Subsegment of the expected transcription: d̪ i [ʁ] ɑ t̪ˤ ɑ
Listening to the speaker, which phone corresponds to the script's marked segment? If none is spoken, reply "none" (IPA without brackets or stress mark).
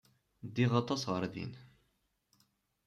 ʁ